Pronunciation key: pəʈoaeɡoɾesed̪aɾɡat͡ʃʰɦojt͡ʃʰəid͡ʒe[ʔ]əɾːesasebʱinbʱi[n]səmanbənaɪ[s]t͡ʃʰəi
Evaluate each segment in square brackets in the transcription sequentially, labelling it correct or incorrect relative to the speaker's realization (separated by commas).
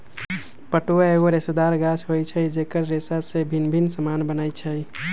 incorrect, correct, incorrect